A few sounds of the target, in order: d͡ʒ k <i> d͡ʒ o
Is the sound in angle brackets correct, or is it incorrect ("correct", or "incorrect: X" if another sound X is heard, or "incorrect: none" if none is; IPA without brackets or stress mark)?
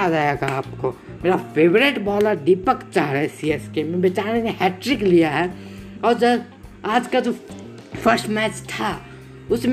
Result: incorrect: a